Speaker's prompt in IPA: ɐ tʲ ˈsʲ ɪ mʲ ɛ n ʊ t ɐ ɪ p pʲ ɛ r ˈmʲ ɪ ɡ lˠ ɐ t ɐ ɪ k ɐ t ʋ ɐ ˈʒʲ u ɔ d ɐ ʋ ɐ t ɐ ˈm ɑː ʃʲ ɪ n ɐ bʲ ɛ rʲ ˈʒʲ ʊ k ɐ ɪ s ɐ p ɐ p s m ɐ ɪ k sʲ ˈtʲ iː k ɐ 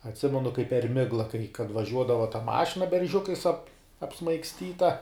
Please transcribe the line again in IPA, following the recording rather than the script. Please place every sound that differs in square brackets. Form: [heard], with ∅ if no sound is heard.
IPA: ɐ tʲ ˈsʲ ɪ mʲ ɛ n ʊ [k] ɐ ɪ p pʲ ɛ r ˈmʲ ɪ ɡ lˠ ɐ [k] ɐ ɪ k ɐ t ʋ ɐ ˈʒʲ u ɔ d ɐ ʋ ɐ t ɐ ˈm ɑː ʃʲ ɪ n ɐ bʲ ɛ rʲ ˈʒʲ ʊ k ɐ ɪ s ɐ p ɐ p s m ɐ ɪ k sʲ ˈtʲ iː [t] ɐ